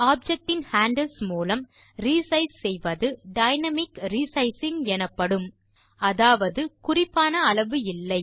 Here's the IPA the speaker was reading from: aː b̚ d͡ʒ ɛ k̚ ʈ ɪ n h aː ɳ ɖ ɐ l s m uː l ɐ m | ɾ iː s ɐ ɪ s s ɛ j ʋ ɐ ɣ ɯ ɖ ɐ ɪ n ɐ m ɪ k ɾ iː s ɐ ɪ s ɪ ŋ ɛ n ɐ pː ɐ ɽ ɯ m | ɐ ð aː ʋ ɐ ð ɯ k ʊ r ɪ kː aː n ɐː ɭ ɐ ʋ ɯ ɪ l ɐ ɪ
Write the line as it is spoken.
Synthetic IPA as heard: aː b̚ d͡ʒ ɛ k̚ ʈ ɪ n h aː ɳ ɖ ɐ l s m uː l ɐ m | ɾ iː s ɐ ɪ s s ɛ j ʋ ɐ ð ɯ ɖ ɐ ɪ n ɐ m ɪ k ɾ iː s ɐ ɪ s ɪ ŋ ɛ n ɐ pː ɐ ɽ ɯ m | ɐ ð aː ʋ ɐ ð ɯ k ʊ r ɪ pː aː n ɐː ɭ ɐ ʋ ɯ ɪ lː ɐ ɪ